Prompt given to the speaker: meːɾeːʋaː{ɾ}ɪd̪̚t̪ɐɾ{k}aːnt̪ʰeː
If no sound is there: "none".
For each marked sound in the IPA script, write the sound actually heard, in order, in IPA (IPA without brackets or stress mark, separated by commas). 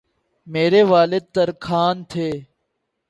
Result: l, kʰ